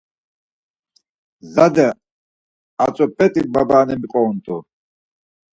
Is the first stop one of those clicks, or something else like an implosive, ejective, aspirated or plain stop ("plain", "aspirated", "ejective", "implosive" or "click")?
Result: plain